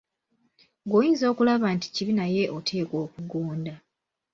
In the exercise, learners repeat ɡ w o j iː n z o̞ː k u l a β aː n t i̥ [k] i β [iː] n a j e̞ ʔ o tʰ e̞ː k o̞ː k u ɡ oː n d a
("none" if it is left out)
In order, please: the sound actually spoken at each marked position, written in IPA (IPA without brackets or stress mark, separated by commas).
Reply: c, i